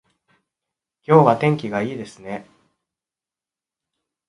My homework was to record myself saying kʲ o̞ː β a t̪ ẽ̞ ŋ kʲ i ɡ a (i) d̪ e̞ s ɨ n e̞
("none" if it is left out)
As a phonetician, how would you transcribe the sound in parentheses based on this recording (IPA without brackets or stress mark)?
iː